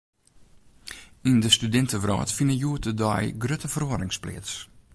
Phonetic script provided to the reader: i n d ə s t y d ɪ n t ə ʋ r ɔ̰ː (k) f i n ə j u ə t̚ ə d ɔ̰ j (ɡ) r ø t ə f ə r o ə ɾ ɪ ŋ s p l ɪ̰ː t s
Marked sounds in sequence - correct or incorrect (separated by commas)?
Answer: incorrect, correct